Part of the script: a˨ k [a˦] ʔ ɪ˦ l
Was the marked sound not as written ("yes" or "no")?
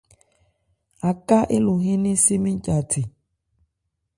no